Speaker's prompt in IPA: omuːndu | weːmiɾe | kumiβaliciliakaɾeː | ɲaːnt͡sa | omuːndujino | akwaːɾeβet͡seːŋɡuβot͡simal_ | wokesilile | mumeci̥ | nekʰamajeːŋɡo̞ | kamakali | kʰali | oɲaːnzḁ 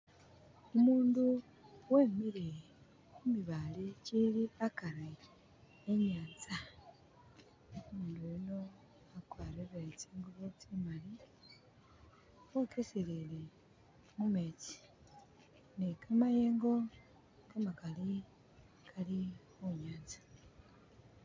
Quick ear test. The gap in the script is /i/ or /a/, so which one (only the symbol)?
i